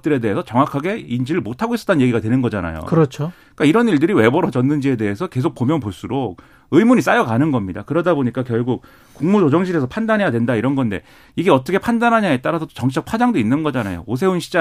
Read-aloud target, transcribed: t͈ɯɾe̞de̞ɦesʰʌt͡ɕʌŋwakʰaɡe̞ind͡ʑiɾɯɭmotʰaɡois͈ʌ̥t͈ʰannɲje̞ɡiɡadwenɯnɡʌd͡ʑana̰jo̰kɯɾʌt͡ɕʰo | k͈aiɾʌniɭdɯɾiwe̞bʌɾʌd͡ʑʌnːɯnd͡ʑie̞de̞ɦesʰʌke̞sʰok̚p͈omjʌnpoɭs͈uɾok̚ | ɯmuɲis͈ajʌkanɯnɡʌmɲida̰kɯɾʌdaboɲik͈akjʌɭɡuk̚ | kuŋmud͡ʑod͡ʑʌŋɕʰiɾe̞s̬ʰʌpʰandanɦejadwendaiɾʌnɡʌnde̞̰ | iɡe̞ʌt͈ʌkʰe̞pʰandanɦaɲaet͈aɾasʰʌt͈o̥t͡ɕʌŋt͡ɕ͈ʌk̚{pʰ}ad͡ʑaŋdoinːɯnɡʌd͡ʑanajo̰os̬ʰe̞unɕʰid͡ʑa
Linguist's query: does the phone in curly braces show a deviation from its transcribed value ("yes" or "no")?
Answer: no